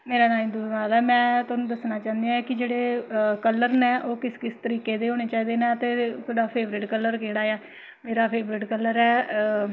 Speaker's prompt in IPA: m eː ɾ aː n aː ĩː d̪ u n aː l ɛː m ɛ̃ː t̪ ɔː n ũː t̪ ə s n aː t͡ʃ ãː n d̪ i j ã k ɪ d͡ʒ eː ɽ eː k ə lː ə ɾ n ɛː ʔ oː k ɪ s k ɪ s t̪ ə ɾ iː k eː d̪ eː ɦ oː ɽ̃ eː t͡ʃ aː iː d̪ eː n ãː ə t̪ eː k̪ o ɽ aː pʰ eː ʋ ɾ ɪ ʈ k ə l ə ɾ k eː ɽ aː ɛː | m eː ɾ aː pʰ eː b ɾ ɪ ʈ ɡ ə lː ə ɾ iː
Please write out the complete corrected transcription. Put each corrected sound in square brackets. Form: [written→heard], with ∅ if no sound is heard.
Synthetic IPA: m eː ɾ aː n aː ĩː d̪ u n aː l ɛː m ɛ̃ː t̪ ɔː n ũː [t̪→d̪] ə s n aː t͡ʃ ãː n d̪ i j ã k ɪ d͡ʒ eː ɽ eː k ə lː ə ɾ n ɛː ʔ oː k ɪ s k ɪ s t̪ ə ɾ iː k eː d̪ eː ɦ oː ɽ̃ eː t͡ʃ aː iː d̪ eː n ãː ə t̪ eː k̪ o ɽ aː pʰ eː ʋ ɾ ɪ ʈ k ə l ə ɾ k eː ɽ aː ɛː | m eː ɾ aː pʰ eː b ɾ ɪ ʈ [ɡ→k] ə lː ə ɾ [iː→ɛː]